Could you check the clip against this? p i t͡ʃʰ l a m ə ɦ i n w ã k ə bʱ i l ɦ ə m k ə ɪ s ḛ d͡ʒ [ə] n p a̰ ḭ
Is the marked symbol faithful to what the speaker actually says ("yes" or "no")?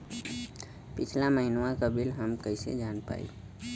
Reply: no